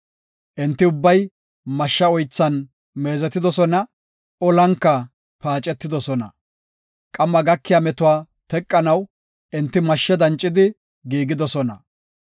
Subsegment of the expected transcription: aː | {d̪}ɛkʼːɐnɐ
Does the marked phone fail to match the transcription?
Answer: yes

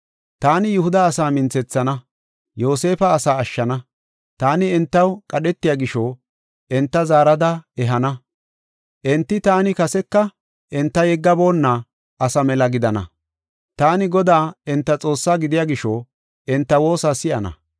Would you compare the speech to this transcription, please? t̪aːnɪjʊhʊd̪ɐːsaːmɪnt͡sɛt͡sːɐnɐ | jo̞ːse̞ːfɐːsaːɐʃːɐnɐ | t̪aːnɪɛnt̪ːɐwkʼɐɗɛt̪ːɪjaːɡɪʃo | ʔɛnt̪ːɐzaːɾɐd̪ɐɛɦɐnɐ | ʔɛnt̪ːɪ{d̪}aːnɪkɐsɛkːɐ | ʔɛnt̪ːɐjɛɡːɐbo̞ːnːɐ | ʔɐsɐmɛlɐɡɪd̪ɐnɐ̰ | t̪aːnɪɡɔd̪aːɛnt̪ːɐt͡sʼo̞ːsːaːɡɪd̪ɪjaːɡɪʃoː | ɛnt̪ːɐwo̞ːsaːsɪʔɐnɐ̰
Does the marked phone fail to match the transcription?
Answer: yes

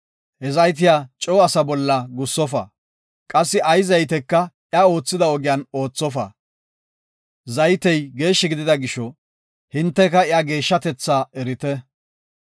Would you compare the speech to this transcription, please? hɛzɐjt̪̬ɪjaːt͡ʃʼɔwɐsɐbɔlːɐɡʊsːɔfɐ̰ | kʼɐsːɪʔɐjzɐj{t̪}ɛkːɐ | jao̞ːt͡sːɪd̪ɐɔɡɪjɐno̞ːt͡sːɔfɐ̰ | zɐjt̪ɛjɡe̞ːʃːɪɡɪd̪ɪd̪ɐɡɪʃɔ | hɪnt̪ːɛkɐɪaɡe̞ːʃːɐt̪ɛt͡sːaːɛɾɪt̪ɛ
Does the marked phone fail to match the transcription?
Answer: no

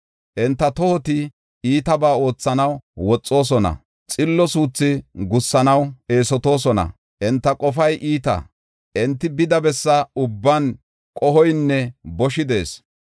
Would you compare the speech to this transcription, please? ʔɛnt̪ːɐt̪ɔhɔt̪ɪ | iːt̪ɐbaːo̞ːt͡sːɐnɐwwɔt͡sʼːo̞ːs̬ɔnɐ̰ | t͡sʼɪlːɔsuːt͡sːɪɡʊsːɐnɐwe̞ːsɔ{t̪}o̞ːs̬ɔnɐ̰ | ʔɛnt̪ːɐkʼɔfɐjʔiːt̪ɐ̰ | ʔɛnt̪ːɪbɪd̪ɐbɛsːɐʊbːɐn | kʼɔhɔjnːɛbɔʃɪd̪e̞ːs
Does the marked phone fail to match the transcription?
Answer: no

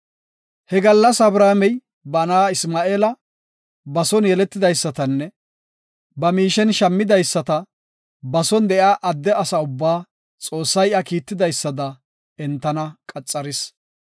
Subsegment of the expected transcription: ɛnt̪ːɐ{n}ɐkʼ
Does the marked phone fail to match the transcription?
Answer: no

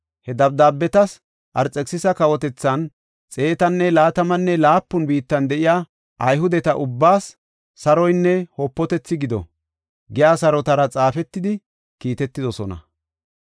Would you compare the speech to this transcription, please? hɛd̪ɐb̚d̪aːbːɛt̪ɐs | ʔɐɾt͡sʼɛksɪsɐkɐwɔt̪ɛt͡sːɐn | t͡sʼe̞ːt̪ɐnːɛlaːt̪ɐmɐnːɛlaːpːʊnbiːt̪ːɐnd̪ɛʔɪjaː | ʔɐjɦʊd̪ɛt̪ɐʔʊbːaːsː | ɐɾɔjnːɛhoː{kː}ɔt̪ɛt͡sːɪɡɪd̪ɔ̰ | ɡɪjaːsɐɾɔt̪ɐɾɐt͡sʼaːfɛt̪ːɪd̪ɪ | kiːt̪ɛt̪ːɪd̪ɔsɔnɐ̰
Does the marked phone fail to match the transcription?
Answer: yes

